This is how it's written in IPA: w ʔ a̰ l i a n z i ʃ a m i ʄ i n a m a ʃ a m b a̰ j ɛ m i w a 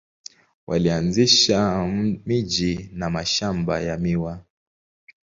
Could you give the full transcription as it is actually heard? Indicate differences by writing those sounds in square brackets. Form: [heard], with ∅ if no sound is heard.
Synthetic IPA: w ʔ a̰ l i a n z i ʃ a m i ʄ i n a m a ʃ a m b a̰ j [a] m i w a